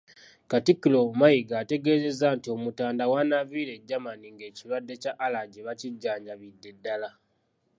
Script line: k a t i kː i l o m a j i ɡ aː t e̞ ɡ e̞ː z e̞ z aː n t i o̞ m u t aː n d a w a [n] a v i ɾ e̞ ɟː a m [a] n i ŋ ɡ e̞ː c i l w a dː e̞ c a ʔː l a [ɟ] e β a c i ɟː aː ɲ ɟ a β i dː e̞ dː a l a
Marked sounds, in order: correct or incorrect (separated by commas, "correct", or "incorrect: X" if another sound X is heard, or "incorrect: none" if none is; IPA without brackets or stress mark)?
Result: correct, correct, correct